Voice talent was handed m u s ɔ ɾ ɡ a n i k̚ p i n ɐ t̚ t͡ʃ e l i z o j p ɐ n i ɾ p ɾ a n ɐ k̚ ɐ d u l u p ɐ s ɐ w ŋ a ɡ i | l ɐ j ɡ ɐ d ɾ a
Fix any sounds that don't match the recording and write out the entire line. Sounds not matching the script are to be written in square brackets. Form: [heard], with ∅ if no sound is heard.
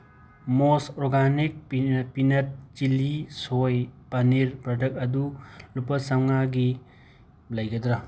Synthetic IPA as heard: m [o] s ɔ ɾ ɡ a n i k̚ p i n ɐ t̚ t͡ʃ [i] l i [s] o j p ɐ n i ɾ p ɾ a [d] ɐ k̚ ɐ d u l u p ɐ s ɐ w ŋ a ɡ i | l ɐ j ɡ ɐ d ɾ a

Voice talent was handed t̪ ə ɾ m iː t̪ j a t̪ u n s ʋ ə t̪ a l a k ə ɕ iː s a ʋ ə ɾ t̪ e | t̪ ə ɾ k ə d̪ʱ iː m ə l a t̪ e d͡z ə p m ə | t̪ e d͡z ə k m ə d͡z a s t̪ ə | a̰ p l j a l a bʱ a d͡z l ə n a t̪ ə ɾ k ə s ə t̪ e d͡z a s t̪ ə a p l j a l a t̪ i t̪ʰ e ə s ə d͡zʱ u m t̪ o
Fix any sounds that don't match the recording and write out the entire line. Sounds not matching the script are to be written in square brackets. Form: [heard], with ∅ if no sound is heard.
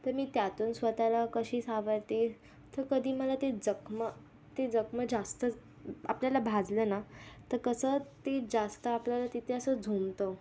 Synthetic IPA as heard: t̪ ə ɾ m iː t̪ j a t̪ [uː] n s ʋ ə t̪ a l a k ə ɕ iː s a ʋ ə ɾ t̪ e | t̪ ə ɾ k ə d̪ʱ iː m ə l a t̪ e d͡z ə [k] m ə | t̪ e d͡z ə k m ə d͡z a s t̪ ə | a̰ p l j a l a bʱ a d͡z l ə n a t̪ ə ɾ k ə s ə t̪ e d͡z a s t̪ ə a p l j a l a t̪ i t̪ʰ e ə s ə d͡zʱ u m t̪ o

